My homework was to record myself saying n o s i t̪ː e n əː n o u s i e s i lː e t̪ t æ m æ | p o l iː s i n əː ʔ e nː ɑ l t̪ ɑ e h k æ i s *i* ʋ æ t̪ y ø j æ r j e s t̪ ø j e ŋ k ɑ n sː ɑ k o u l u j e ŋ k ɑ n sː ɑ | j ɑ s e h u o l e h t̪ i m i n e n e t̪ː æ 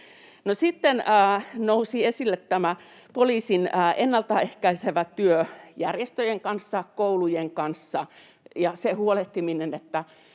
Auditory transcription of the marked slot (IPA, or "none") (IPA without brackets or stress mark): e